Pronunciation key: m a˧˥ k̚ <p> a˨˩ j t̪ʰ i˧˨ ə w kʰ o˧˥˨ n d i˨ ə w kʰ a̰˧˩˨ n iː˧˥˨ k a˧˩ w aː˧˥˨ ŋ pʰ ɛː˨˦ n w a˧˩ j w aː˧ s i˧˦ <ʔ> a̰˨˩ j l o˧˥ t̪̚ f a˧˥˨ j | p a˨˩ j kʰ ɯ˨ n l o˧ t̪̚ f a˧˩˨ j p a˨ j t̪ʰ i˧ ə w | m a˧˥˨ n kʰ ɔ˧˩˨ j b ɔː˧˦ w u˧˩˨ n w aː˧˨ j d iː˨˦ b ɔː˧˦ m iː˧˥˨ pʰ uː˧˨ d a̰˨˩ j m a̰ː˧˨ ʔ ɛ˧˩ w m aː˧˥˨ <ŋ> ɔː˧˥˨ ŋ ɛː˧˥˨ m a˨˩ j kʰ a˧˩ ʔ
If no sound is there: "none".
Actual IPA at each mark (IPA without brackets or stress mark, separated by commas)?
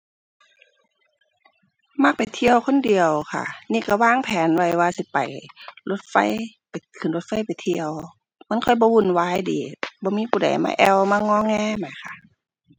p, p, ŋ